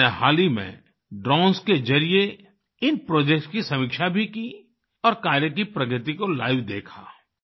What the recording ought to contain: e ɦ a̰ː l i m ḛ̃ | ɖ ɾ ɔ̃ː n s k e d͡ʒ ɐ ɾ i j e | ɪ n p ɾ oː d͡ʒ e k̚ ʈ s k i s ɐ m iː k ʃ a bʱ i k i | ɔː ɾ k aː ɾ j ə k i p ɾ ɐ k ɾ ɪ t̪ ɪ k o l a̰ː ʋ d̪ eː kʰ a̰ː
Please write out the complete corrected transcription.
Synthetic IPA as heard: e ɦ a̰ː l i m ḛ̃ | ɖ ɾ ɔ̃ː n s k e d͡ʒ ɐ ɾ i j e | ɪ n p ɾ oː d͡ʒ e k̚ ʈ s k i s ɐ m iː k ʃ a bʱ i k i | ɔː ɾ k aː ɾ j ə k i p ɾ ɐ ɡ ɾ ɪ t̪ i k o l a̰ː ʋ d̪ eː kʰ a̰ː